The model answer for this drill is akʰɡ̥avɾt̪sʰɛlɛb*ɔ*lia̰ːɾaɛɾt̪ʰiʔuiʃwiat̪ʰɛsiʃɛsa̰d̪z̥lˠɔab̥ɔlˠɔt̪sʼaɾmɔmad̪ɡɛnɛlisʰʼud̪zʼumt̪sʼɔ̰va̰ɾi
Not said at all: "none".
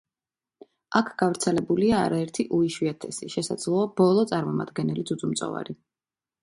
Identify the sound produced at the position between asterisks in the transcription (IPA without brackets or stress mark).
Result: u